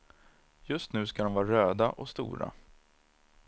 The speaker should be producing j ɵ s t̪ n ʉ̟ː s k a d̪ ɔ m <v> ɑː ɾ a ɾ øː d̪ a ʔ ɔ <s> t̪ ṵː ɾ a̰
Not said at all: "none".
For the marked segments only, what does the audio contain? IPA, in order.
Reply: v, s

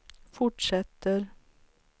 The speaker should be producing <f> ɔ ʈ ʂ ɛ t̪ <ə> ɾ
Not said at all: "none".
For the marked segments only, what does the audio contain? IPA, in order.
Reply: f, ə

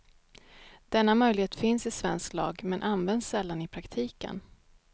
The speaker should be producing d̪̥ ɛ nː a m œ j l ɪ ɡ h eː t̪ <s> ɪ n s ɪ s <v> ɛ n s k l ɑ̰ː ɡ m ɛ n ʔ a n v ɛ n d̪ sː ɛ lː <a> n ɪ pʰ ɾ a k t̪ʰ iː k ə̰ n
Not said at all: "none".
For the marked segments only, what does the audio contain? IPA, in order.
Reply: f, v, a

